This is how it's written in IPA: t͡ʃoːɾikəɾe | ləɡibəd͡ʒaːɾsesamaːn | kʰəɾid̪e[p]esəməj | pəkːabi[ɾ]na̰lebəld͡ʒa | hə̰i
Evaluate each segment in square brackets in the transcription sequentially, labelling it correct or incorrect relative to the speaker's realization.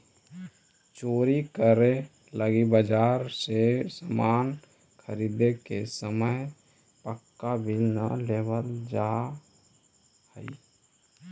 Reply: incorrect: k, incorrect: l

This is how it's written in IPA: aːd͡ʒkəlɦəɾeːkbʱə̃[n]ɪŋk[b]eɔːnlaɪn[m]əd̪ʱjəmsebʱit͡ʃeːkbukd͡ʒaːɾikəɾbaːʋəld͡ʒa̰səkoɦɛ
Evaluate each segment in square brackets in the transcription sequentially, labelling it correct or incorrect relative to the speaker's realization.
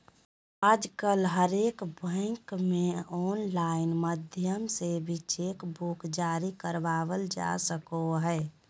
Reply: incorrect: none, incorrect: m, correct

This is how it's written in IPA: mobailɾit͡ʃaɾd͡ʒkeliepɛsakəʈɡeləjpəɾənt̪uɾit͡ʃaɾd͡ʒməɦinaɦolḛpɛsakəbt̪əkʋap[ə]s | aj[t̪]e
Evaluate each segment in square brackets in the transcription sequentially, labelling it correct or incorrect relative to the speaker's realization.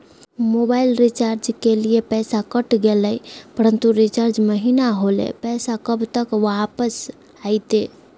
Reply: correct, correct

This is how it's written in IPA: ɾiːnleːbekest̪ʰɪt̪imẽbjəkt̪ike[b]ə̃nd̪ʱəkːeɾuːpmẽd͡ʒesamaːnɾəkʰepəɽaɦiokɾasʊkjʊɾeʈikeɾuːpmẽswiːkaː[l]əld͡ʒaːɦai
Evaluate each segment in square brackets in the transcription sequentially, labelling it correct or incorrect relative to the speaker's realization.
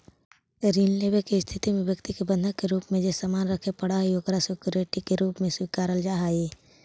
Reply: correct, incorrect: ɾ

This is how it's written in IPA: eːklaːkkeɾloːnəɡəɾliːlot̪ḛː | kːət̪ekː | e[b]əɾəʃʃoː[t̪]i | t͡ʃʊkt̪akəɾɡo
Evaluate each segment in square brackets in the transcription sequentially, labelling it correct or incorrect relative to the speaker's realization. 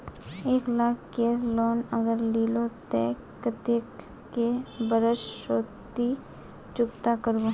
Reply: correct, correct

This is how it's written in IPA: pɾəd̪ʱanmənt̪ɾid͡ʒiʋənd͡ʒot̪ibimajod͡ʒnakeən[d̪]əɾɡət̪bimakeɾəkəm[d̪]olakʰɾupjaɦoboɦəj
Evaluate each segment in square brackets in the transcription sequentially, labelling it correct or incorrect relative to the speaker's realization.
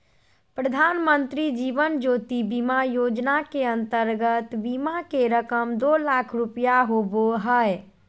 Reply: incorrect: t̪, correct

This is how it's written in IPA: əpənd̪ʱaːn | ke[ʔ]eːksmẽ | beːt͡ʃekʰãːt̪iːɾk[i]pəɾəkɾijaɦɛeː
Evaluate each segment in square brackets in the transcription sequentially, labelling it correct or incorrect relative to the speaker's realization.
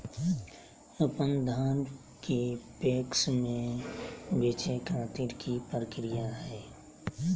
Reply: incorrect: p, correct

